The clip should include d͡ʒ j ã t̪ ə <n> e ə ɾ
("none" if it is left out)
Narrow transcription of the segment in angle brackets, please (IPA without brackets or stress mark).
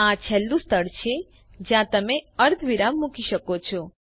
m